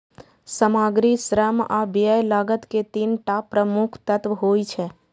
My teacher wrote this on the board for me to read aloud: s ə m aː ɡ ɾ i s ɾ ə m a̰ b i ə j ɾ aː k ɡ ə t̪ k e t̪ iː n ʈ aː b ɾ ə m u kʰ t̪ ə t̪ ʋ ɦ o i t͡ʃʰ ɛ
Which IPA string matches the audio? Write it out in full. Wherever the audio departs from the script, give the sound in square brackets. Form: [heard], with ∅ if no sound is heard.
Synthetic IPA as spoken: s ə m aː ɡ ɾ i s ɾ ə m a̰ b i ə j [l] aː [∅] ɡ ə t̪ k e t̪ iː n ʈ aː [p] ɾ ə m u kʰ t̪ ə t̪ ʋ ɦ o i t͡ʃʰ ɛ